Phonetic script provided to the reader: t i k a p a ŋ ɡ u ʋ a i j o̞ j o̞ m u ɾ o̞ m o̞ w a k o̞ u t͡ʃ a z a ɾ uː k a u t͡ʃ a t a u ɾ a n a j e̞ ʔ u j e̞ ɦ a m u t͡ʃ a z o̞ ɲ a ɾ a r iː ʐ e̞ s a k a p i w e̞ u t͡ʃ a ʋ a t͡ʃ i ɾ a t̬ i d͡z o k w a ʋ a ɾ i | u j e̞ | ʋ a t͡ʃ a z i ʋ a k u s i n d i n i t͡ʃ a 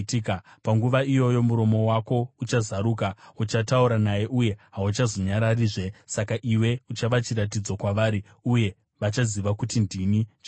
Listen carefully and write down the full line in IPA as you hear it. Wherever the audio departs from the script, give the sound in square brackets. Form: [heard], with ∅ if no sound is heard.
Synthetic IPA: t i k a p a ŋ ɡ u ʋ a i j o̞ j o̞ m u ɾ o̞ m o̞ w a k o̞ u t͡ʃ a z a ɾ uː k a u t͡ʃ a t a u ɾ a n a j e̞ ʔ u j e̞ ɦ a [∅] u t͡ʃ a z o̞ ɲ a ɾ a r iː ʐ e̞ s a k a [ʔ] i w e̞ u t͡ʃ a ʋ a t͡ʃ i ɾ a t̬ i d͡z o k w a ʋ a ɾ i | u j e̞ | ʋ a t͡ʃ a z i ʋ a k u [t] i n d i n i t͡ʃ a